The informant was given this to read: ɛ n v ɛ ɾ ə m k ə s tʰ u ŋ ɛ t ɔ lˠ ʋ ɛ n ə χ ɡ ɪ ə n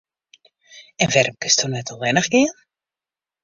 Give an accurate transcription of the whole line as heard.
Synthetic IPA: ɛ n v ɛ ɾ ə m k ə s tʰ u n ɛ t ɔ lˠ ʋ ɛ n ə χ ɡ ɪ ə n

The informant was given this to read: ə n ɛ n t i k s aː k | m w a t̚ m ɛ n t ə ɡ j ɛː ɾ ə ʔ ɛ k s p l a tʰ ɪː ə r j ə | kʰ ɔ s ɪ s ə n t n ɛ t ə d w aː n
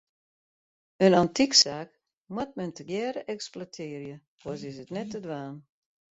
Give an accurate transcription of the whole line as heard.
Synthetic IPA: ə n a n t i k s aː k | m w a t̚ m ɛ n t ə ɡ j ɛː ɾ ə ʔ ɛ k s p l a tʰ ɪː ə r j ə | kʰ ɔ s ɪ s ə t n ɛ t ə d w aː n

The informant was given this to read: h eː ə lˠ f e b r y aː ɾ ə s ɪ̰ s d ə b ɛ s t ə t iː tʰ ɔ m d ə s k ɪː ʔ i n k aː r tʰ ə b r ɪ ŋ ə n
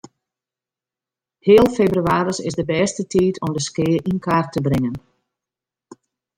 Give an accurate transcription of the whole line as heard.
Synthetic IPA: h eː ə lˠ f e b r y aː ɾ ə s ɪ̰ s d ə b ɛ s t ə t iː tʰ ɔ m d ə s k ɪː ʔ i n k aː r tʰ ə b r ɪ ŋ ə n

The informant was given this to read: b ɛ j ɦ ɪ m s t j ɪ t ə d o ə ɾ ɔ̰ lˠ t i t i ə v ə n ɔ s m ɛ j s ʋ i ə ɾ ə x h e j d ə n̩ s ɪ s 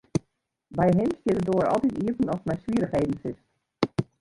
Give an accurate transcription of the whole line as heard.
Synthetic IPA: b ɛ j ɦ ɪ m s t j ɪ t ə d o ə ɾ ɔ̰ lˠ t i t i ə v ə n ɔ s m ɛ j s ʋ i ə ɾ ə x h e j d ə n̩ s ɪ s

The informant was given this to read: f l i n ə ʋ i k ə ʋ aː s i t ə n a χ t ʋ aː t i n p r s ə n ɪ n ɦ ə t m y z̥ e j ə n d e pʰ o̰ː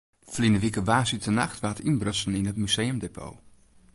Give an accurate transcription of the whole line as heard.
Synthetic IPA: f l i n ə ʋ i k ə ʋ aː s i t ə n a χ t ʋ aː t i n b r s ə n ɪ n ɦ ə t m y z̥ e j ə m d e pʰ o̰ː

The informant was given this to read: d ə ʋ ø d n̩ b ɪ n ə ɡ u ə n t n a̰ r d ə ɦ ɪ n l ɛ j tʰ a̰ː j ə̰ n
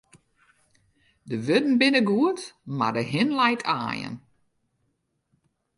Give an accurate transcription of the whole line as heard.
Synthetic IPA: d ə ʋ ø d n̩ b ɪ n ə ɡ u ə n t m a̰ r d ə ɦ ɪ n l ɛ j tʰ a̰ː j ə̰ n

